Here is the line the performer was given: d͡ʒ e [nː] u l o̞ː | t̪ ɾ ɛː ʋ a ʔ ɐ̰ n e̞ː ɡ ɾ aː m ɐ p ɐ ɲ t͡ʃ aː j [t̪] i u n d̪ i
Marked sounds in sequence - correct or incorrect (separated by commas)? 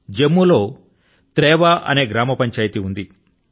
incorrect, correct